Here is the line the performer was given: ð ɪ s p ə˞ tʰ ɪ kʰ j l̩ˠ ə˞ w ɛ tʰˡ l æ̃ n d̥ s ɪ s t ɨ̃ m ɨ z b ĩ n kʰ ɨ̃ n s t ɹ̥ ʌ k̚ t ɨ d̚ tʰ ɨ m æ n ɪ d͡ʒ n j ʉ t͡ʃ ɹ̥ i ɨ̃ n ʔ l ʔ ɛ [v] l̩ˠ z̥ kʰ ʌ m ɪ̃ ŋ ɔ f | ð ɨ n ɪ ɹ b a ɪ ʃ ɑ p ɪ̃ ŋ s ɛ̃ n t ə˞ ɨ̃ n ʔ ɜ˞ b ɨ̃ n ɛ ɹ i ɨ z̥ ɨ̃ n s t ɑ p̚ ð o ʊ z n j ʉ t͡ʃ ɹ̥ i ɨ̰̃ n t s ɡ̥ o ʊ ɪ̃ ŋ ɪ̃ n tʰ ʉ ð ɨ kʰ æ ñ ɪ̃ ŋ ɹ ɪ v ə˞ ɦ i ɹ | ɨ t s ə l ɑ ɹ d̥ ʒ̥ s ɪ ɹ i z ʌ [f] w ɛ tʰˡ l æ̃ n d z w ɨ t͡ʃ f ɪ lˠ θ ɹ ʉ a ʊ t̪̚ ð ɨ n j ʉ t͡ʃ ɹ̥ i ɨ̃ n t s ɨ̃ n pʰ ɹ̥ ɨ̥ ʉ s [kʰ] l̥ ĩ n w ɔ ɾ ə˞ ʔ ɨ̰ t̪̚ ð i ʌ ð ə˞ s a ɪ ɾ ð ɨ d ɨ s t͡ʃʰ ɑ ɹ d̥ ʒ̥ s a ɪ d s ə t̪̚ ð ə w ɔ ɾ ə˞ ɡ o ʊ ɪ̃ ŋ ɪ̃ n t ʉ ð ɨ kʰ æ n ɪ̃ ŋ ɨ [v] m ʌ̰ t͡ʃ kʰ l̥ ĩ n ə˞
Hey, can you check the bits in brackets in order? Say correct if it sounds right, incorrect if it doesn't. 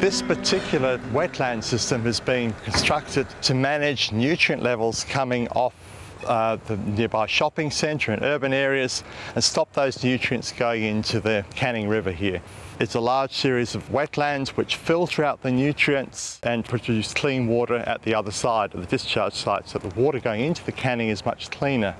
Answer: correct, incorrect: v, correct, incorrect: z

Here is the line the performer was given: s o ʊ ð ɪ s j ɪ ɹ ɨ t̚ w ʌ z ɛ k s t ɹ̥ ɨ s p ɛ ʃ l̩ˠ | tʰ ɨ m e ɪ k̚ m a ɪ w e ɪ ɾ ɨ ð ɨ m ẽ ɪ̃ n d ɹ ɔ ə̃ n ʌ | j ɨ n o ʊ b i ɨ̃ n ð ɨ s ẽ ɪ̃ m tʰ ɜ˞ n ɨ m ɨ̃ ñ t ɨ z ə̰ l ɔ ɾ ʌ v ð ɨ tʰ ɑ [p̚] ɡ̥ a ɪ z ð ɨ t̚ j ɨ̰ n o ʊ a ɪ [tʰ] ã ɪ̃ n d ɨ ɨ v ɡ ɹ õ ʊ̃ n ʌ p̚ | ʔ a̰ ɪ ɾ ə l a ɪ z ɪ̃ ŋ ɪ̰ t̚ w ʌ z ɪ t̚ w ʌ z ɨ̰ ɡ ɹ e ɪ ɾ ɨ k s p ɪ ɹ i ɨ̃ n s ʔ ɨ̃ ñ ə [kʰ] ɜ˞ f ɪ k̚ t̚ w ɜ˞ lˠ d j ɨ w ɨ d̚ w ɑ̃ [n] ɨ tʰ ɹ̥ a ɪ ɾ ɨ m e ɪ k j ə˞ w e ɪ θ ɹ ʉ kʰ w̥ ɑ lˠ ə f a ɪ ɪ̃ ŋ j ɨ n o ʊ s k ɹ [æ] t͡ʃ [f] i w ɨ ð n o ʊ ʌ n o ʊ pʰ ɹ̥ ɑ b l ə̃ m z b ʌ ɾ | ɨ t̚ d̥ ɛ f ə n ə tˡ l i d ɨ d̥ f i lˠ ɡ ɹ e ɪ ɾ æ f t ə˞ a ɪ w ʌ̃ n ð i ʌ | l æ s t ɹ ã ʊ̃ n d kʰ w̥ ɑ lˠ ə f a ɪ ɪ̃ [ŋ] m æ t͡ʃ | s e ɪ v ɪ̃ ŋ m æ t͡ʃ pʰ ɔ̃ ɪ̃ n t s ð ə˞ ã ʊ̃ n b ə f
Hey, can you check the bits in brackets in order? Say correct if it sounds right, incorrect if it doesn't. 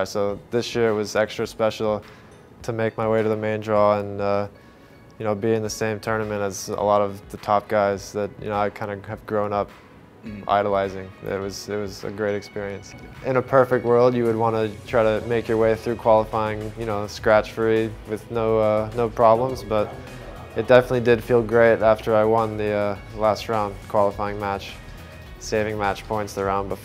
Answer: correct, incorrect: kʰ, incorrect: pʰ, correct, correct, correct, correct

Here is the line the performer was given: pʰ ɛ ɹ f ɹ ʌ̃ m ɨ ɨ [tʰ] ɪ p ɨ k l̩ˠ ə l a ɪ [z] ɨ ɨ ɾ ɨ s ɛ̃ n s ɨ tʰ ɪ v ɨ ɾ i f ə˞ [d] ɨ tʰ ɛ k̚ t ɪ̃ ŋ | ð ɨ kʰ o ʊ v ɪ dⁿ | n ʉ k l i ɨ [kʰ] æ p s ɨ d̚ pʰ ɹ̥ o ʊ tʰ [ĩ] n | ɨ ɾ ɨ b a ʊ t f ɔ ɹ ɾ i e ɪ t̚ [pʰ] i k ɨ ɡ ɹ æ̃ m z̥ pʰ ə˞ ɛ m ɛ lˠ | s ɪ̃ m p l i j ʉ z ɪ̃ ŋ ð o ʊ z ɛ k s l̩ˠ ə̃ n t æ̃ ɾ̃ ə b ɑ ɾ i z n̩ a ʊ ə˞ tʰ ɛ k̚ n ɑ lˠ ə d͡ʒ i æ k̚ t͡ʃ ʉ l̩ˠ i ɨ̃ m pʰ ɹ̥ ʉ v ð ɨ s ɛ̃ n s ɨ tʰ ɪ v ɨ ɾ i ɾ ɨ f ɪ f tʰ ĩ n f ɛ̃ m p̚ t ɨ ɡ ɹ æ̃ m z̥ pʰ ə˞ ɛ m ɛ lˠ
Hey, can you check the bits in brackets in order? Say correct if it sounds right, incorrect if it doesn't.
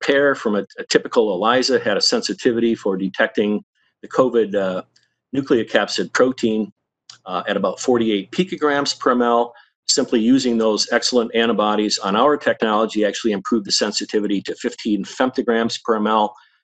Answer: correct, correct, correct, correct, correct, correct

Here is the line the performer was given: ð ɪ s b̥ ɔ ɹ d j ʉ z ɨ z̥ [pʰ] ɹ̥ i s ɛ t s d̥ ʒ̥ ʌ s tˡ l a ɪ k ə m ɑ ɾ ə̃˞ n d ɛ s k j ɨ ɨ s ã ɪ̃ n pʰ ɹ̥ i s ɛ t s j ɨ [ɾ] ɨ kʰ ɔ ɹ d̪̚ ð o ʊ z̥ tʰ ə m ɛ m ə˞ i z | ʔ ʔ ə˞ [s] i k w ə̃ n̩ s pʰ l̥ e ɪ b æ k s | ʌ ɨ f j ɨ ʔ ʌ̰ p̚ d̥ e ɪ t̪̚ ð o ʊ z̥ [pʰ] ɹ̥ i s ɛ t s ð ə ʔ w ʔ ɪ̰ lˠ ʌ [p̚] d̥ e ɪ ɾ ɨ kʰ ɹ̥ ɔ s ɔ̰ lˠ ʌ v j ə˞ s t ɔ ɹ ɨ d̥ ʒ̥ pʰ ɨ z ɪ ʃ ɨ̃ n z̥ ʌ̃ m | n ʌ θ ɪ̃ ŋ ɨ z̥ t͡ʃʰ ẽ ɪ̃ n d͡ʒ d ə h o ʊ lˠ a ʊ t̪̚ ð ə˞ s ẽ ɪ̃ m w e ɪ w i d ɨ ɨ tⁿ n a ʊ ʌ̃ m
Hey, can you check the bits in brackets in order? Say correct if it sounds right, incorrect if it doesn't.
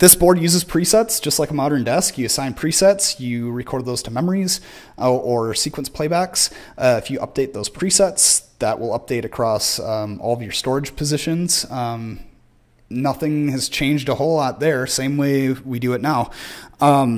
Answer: correct, incorrect: ɹ, correct, correct, correct

